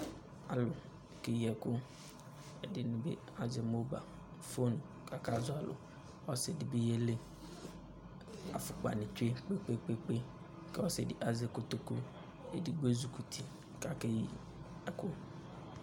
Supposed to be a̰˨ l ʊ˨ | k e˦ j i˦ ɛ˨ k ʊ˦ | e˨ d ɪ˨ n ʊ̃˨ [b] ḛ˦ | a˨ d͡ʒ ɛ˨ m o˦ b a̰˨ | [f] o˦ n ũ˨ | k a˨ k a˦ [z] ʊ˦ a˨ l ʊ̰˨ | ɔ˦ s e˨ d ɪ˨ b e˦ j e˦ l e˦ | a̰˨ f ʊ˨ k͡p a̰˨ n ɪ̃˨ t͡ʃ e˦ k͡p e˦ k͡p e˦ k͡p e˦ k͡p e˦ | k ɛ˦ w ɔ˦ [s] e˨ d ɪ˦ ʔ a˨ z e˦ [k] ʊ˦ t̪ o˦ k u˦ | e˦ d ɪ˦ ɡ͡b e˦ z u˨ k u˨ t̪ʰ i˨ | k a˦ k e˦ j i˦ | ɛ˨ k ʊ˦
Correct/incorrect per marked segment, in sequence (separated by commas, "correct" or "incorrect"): correct, correct, correct, correct, correct